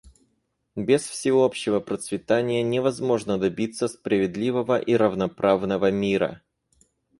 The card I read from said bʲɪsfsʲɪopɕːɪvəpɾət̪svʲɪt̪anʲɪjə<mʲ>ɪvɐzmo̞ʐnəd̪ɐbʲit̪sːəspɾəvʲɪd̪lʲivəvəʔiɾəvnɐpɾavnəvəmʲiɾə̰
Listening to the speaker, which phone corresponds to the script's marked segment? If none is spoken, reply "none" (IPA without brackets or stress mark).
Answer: nʲ